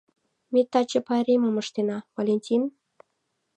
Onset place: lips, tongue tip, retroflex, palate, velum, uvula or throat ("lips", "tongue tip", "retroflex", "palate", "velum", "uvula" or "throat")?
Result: lips